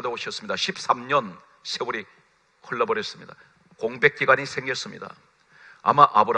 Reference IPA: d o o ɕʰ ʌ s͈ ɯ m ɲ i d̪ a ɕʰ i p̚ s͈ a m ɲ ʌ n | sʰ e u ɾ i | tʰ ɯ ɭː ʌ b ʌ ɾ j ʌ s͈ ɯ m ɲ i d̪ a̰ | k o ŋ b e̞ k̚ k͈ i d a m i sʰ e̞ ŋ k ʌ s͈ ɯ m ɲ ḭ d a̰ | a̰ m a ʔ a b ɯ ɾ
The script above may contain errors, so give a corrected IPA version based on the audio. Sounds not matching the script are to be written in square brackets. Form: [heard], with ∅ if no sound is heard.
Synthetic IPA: d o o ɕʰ ʌ s͈ ɯ m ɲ i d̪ a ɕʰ i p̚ s͈ a m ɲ ʌ n | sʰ e u ɾ i | [kʰ] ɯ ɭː ʌ b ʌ ɾ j ʌ s͈ ɯ m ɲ i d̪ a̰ | k o ŋ b e̞ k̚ k͈ i [ɡ] a [ɲ] i sʰ e̞ ŋ [ɡ] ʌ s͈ ɯ m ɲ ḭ d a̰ | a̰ m a ʔ a b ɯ ɾ